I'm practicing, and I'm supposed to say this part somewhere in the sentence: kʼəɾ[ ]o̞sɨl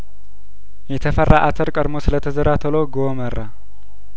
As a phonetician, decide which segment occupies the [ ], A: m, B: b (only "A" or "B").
A